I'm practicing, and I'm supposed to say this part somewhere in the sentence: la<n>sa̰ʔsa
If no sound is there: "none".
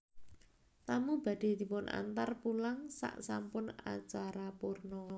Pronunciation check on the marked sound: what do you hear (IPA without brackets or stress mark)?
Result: ŋ